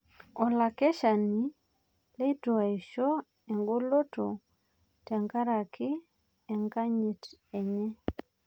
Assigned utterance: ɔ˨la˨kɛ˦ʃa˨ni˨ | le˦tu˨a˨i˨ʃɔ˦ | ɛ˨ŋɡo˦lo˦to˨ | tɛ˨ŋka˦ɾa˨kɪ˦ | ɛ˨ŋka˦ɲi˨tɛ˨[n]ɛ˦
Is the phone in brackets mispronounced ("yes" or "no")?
yes